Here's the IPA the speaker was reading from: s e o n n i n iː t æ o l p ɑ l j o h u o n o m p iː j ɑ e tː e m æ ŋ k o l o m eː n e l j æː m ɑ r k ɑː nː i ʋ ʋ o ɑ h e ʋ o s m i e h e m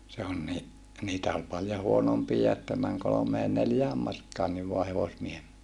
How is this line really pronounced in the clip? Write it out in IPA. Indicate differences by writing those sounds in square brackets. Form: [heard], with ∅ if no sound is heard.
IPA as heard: s e o n n i n iː t æ o l p ɑ l j o h u o n o m p iː j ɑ e tː [æ] m æ ŋ k o l o m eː n e l j æː m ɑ r k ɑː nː i ʋ ʋ o ɑ h e ʋ o s m i e h e m